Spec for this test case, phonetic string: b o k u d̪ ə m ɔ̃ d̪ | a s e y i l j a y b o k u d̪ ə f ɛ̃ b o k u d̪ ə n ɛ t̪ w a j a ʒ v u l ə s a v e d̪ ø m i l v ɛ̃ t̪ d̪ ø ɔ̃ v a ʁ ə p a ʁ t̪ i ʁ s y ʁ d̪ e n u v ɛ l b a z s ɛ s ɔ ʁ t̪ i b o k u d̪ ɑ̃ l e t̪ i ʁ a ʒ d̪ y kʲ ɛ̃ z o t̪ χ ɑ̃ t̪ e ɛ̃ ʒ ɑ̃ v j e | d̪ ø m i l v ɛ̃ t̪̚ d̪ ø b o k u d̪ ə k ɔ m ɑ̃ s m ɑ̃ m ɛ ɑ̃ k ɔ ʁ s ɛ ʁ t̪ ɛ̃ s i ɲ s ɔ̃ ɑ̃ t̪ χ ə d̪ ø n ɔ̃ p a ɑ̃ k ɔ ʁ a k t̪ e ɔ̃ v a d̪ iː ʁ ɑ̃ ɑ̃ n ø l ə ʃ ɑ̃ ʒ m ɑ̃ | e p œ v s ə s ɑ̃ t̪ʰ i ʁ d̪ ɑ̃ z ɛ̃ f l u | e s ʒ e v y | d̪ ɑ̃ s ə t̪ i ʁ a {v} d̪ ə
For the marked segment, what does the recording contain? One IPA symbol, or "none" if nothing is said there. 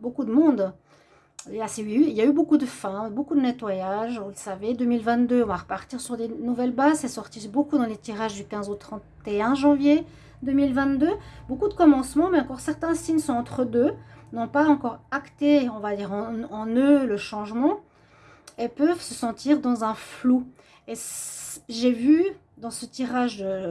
ʒ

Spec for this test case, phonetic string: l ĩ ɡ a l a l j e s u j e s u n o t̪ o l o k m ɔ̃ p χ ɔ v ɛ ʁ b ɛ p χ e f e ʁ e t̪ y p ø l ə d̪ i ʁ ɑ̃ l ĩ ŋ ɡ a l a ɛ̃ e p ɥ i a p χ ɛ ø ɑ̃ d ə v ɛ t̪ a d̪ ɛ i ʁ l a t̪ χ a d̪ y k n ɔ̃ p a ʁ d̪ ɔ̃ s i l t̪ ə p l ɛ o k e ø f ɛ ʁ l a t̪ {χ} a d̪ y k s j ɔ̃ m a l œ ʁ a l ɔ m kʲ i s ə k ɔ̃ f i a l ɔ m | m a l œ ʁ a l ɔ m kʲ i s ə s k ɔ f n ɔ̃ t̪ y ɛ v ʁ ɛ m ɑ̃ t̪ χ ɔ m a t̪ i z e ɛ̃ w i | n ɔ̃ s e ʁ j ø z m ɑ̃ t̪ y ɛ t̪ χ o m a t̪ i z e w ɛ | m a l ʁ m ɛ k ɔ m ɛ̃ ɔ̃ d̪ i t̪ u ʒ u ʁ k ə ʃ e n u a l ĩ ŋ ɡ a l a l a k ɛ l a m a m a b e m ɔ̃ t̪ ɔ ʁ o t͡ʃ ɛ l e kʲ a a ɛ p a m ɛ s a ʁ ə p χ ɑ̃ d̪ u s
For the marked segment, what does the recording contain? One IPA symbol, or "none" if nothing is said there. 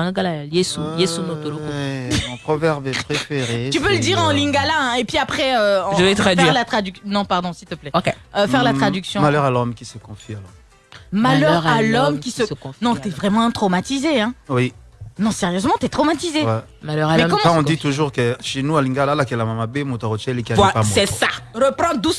χ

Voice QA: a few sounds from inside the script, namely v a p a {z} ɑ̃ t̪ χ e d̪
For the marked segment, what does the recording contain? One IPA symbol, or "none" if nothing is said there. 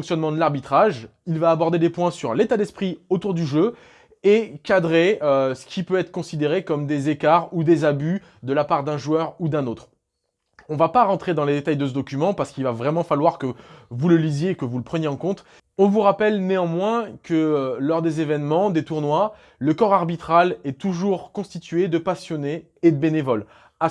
ʁ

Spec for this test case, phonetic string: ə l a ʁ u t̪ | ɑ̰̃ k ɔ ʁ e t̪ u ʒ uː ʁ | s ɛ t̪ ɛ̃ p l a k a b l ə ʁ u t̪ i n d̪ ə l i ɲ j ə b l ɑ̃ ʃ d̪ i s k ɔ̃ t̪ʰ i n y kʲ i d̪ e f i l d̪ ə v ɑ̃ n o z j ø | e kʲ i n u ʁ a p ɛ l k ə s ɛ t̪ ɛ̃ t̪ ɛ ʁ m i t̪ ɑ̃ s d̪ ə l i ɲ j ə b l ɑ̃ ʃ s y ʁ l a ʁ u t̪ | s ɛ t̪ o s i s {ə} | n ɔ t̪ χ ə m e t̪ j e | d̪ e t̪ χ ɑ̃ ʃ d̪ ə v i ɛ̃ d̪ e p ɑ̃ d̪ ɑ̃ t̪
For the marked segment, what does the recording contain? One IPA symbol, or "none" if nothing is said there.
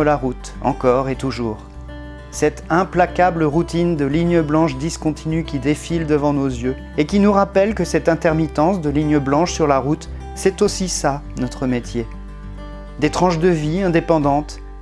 a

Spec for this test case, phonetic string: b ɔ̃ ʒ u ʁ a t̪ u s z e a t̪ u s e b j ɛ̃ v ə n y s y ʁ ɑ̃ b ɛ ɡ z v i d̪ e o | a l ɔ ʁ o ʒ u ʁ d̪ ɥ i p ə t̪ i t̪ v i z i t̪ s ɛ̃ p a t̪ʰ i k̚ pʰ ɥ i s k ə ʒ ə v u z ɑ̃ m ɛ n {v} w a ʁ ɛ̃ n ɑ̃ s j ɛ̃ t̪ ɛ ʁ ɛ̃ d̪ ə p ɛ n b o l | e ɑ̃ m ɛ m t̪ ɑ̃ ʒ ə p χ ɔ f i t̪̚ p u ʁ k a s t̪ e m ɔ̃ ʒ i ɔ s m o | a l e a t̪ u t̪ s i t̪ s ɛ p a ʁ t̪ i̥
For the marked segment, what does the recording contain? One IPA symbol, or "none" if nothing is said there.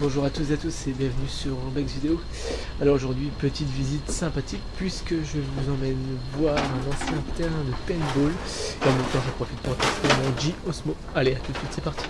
v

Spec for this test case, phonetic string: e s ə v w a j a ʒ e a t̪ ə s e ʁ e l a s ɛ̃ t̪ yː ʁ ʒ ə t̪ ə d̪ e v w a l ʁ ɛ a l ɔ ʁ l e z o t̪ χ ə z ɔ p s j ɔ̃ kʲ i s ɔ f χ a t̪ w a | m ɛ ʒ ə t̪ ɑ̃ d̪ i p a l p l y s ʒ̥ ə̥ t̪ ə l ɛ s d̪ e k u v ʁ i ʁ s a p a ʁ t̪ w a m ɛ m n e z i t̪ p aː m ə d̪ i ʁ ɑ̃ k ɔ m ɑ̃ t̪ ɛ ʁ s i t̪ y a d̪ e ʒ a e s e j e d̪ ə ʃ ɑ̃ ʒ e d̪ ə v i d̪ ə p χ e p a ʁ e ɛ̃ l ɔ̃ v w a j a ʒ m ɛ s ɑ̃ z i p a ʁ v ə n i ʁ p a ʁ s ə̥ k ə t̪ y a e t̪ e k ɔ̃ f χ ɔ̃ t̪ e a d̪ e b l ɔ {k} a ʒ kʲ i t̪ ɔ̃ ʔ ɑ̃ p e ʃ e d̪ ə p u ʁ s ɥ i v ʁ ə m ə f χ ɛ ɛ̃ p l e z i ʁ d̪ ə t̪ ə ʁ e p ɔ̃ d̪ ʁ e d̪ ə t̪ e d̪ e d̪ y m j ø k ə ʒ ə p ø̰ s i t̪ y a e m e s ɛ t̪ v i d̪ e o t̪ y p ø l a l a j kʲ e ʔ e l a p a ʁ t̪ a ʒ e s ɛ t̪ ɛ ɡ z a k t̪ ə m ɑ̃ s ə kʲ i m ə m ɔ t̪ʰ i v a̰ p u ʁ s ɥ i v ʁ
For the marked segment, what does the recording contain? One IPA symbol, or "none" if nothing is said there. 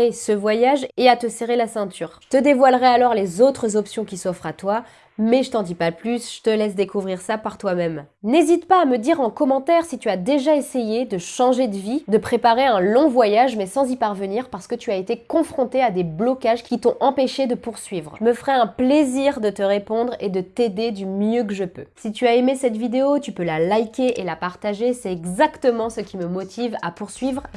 k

